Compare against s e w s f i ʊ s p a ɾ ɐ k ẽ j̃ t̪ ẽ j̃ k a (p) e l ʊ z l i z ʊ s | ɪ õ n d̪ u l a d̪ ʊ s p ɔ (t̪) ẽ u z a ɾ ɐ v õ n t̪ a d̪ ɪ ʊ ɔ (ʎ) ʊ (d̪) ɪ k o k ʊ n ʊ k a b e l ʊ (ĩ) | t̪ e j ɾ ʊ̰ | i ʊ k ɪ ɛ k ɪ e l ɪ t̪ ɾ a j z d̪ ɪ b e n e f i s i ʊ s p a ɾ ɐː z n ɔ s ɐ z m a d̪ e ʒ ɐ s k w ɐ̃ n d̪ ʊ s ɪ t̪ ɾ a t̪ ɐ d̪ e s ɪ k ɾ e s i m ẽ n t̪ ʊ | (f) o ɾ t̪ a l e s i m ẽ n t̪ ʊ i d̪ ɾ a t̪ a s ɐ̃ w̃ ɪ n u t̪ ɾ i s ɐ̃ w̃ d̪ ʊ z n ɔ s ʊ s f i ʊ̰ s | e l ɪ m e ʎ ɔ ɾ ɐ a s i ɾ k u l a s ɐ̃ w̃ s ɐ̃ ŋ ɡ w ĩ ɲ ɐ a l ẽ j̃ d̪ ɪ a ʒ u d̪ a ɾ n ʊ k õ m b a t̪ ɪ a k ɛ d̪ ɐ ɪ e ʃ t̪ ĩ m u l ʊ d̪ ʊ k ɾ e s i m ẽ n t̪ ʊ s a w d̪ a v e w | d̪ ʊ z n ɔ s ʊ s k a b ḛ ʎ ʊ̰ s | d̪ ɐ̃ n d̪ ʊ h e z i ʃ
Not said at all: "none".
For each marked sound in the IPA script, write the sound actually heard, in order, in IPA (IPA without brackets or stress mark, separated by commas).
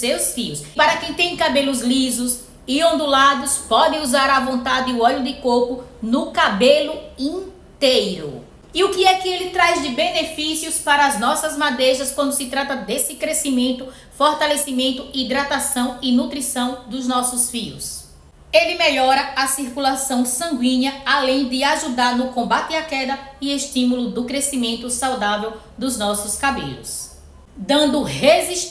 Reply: b, d̪, ʎ, d̪, ĩ, f